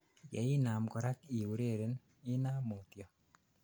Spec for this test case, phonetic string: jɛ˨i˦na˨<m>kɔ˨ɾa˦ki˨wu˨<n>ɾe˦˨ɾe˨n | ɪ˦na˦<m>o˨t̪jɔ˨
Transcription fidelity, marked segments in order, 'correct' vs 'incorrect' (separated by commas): correct, incorrect, correct